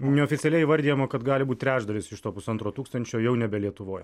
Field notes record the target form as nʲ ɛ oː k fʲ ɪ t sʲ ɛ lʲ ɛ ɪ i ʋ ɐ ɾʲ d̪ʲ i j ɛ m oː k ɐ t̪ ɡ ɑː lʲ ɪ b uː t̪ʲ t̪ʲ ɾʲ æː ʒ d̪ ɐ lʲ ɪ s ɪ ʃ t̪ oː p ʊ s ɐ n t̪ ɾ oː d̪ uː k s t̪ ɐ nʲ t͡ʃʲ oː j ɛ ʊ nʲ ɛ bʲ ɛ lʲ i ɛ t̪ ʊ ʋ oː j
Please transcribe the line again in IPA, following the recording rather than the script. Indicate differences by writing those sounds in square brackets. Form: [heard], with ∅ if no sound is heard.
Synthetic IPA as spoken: nʲ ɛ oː [∅] fʲ ɪ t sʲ ɛ lʲ ɛ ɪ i ʋ ɐ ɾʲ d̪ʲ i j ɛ m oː k ɐ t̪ ɡ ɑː lʲ ɪ b uː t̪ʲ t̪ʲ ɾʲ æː ʒ d̪ ɐ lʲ ɪ s ɪ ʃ t̪ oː p ʊ s ɐ n t̪ ɾ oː [t̪] uː k s t̪ ɐ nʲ t͡ʃʲ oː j ɛ ʊ nʲ ɛ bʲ ɛ lʲ i ɛ t̪ ʊ ʋ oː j

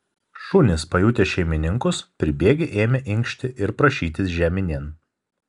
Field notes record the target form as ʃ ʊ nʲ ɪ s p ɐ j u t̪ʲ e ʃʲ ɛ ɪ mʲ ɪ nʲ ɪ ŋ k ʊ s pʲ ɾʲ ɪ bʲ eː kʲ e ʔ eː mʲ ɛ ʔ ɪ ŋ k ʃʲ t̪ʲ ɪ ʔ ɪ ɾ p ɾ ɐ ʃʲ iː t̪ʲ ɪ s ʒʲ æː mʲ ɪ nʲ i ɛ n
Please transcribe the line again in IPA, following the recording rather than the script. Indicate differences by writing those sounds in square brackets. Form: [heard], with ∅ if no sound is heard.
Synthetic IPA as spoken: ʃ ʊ nʲ ɪ s p ɐ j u t̪ʲ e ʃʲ ɛ ɪ mʲ ɪ nʲ ɪ ŋ k ʊ s pʲ ɾʲ ɪ bʲ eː [ɡʲ] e ʔ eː mʲ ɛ ʔ ɪ ŋ k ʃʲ t̪ʲ ɪ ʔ ɪ ɾ p ɾ ɐ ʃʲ iː t̪ʲ ɪ s ʒʲ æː mʲ ɪ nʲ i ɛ n

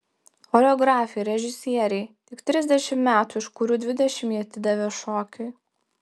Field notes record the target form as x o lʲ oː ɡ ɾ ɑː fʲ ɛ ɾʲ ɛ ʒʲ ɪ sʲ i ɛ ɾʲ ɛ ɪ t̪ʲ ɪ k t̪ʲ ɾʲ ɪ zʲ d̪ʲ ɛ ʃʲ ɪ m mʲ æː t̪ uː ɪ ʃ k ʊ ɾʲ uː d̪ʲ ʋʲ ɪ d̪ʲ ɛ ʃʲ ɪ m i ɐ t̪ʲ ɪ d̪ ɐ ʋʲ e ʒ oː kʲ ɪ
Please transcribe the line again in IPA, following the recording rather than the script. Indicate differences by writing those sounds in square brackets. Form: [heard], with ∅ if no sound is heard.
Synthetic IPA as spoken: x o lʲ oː ɡ ɾ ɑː fʲ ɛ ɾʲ ɛ ʒʲ ɪ sʲ i ɛ ɾʲ ɛ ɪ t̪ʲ ɪ k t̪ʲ ɾʲ ɪ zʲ d̪ʲ ɛ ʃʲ ɪ m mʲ æː t̪ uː ɪ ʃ k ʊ ɾʲ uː d̪ʲ ʋʲ ɪ d̪ʲ ɛ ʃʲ ɪ m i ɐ t̪ʲ ɪ d̪ ɐ ʋʲ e [ʃ] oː kʲ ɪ

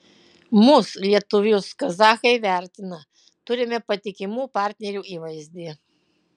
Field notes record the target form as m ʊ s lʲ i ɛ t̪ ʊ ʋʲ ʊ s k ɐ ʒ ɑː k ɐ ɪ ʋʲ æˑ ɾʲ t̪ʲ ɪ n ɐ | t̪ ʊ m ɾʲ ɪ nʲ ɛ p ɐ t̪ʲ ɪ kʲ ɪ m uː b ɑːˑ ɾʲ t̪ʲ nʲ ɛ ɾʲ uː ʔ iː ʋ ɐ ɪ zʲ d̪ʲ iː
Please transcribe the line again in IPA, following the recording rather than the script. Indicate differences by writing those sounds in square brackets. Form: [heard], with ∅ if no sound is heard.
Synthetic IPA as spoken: m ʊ s lʲ i ɛ t̪ ʊ ʋʲ ʊ s k ɐ [z] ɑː [x] ɐ ɪ ʋʲ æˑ ɾʲ t̪ʲ ɪ n ɐ | t̪ ʊ [∅] ɾʲ ɪ [mʲ] ɛ p ɐ t̪ʲ ɪ kʲ ɪ m uː [p] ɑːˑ ɾʲ t̪ʲ nʲ ɛ ɾʲ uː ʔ iː ʋ ɐ ɪ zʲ d̪ʲ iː

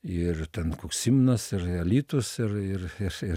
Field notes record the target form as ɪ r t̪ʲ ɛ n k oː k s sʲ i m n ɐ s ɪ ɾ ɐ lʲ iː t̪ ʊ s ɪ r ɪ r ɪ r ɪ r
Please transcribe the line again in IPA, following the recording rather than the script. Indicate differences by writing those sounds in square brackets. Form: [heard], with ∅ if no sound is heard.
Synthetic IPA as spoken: ɪ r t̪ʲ ɛ n k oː k s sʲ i m n ɐ s ɪ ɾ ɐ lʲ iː t̪ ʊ s ɪ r ɪ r ɪ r ɪ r

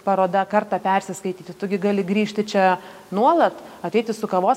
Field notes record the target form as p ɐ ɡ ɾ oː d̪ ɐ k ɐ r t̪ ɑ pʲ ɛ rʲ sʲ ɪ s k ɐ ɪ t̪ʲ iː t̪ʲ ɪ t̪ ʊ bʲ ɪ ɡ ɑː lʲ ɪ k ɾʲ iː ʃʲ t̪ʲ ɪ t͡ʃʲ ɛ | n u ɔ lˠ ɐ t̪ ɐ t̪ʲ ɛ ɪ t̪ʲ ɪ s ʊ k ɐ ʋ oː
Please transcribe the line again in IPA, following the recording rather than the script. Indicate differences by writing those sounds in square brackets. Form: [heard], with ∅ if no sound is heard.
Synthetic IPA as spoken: p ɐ [∅] ɾ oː d̪ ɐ k ɐ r t̪ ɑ pʲ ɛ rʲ sʲ ɪ s k ɐ ɪ t̪ʲ iː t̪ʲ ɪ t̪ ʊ [ɡʲ] ɪ ɡ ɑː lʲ ɪ [ɡ] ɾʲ iː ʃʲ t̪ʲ ɪ t͡ʃʲ ɛ | n u ɔ lˠ ɐ t̪ ɐ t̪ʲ ɛ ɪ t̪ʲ ɪ s ʊ k ɐ ʋ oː

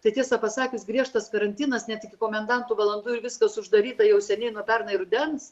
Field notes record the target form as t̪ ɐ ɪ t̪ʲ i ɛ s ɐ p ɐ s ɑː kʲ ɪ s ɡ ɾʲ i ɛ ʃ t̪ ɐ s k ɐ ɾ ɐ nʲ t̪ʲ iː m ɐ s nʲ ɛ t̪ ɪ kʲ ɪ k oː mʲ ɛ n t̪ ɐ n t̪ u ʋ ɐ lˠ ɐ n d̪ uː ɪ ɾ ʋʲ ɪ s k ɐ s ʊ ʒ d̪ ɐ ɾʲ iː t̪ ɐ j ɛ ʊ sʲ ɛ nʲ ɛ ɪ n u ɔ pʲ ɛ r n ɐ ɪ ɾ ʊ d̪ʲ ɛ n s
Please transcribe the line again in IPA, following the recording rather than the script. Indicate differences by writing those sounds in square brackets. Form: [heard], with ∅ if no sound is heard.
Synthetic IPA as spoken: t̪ ɐ ɪ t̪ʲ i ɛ s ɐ p ɐ s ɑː kʲ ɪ s ɡ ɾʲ i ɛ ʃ t̪ ɐ s k ɐ ɾ ɐ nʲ t̪ʲ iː [n] ɐ s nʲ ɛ t̪ ɪ kʲ ɪ k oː mʲ ɛ n [d̪] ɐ n t̪ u ʋ ɐ lˠ ɐ n d̪ uː ɪ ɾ ʋʲ ɪ s k ɐ s ʊ ʒ d̪ ɐ ɾʲ iː t̪ ɐ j ɛ ʊ sʲ ɛ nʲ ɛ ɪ n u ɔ pʲ ɛ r n ɐ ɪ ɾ ʊ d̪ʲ ɛ n s

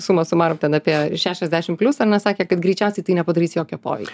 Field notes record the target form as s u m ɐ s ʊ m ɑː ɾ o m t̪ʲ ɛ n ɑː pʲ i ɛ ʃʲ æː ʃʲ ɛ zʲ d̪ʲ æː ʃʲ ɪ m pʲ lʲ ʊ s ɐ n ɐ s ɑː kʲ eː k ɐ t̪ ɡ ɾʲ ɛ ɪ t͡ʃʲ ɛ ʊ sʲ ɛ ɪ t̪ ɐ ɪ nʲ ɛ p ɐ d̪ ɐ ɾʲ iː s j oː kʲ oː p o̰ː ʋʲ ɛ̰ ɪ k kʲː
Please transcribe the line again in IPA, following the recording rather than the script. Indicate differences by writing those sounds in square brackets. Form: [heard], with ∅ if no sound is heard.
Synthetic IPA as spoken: s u m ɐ s ʊ m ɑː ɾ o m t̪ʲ ɛ n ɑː pʲ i ɛ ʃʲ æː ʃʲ ɛ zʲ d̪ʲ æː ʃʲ ɪ m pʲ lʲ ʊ s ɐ n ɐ s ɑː kʲ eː k ɐ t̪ ɡ ɾʲ ɛ ɪ t͡ʃʲ ɛ ʊ sʲ ɛ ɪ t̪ ɐ ɪ nʲ ɛ p ɐ d̪ ɐ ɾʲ iː s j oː kʲ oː p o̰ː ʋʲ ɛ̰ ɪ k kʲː

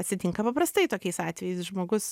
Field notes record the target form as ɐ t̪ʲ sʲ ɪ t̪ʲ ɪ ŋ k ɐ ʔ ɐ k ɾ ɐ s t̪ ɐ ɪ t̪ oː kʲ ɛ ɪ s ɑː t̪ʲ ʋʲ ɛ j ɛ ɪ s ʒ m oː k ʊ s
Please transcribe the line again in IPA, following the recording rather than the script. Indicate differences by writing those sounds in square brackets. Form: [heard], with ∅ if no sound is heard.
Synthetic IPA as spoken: ɐ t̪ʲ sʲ ɪ t̪ʲ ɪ ŋ k ɐ [p] ɐ [p] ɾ ɐ s t̪ ɐ ɪ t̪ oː kʲ ɛ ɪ s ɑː t̪ʲ ʋʲ ɛ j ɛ ɪ s ʒ m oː [ɡ] ʊ s

